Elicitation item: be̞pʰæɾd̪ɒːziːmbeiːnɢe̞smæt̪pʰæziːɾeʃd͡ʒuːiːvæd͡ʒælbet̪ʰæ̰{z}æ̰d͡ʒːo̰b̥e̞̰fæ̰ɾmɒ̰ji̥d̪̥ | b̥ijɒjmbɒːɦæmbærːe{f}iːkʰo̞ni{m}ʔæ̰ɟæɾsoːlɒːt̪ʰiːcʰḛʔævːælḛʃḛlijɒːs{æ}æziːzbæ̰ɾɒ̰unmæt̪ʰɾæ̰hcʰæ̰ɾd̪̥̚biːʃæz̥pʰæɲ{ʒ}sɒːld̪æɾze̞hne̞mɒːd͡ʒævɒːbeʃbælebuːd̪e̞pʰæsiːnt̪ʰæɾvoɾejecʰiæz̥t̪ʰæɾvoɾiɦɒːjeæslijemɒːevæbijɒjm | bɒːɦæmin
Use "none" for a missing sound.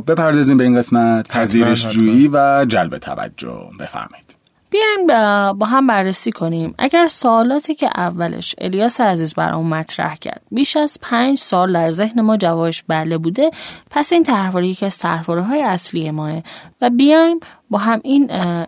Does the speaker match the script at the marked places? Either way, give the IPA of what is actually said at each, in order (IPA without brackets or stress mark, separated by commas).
v, s, m, e, d͡ʒ